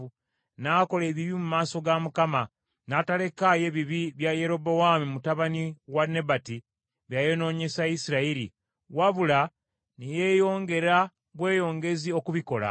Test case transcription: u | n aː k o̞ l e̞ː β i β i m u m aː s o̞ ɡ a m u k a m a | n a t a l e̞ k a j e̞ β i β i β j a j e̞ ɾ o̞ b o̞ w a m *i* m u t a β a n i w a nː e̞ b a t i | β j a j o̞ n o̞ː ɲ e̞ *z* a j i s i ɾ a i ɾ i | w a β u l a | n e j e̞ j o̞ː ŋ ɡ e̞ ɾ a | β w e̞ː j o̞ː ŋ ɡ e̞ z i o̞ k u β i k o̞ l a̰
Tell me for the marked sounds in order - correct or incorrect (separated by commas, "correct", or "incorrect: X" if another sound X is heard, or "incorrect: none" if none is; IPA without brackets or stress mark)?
correct, incorrect: s